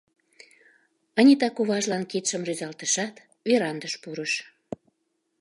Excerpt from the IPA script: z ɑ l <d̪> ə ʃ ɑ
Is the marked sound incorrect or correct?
incorrect